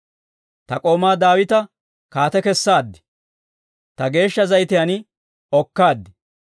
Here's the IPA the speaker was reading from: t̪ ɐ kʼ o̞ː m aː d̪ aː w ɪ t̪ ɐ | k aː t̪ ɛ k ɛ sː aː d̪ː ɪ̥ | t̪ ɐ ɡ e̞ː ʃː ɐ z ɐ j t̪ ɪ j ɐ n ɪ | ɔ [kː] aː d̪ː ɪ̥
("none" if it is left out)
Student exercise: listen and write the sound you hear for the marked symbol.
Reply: kː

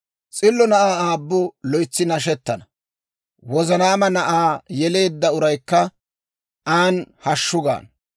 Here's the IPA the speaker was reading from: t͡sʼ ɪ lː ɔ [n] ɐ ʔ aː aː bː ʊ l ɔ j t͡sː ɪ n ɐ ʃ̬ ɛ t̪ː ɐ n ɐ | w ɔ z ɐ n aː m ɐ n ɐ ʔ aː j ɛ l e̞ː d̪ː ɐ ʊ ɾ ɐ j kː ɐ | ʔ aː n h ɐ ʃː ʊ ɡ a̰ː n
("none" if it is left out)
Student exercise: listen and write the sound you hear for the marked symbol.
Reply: n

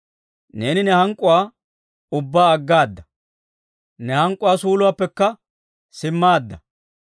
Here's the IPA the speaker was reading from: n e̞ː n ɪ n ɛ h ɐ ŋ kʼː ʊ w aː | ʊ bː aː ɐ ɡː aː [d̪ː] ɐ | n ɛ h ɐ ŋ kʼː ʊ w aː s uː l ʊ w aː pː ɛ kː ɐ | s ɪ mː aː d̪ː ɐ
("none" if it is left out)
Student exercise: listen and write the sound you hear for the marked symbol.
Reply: d̪ː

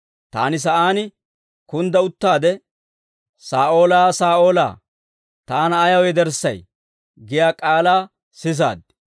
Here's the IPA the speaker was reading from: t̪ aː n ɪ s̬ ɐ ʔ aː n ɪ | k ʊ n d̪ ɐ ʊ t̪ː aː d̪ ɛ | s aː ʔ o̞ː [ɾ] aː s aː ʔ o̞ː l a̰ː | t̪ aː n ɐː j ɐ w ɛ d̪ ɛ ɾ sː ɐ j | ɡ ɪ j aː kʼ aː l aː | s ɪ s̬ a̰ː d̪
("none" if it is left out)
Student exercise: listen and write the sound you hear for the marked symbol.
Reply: l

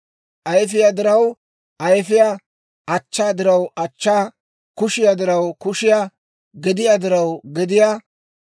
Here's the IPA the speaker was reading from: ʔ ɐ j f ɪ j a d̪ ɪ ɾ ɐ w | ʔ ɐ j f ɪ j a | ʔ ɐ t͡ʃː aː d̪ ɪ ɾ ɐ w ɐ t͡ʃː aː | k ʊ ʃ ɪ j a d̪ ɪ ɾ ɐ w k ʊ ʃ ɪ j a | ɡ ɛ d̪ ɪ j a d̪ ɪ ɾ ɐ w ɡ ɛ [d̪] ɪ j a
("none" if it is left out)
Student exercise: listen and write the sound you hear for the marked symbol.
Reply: d̪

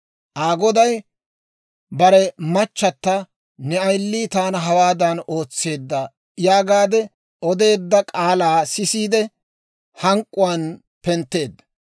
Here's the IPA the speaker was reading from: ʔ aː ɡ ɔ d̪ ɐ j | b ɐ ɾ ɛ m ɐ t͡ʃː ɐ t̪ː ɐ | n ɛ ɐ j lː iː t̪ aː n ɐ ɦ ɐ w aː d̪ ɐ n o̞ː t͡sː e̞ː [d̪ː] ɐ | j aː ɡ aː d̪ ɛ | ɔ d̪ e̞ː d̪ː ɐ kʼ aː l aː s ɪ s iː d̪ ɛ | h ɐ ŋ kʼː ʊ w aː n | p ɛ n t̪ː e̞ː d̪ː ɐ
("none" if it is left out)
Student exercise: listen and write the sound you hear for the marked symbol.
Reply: d̪ː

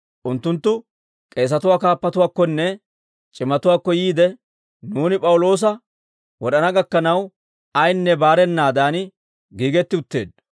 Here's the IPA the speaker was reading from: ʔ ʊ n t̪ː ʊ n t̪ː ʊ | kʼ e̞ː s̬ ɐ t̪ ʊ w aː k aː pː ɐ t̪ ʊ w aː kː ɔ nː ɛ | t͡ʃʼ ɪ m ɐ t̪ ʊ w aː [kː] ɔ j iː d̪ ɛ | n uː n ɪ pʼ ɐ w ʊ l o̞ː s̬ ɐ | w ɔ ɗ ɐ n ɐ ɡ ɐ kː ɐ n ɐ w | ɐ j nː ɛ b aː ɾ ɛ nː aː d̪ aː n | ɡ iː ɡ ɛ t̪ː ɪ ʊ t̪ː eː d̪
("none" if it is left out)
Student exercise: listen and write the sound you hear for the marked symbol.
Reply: kː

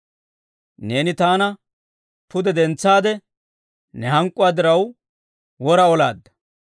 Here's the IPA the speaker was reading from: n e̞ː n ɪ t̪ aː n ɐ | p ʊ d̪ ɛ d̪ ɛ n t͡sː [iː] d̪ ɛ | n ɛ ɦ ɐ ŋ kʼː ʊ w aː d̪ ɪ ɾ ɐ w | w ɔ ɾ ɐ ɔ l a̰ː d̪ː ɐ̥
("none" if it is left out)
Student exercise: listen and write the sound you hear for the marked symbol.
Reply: aː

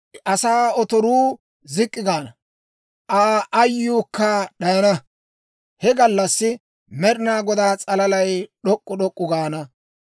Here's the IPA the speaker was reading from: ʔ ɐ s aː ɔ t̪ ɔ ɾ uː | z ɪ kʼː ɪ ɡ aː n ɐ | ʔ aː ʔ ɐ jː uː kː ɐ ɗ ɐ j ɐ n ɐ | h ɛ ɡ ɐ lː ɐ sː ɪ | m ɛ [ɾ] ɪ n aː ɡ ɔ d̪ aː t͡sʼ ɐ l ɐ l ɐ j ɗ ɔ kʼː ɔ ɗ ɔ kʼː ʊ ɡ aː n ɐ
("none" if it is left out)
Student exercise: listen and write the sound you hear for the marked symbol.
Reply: ɾ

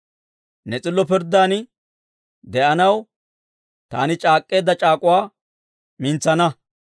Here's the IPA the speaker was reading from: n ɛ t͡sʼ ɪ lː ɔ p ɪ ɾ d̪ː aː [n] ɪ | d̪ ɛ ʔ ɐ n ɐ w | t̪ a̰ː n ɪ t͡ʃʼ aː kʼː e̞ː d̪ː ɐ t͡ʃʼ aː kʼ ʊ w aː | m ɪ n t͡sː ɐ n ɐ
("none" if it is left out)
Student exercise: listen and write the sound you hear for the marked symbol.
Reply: n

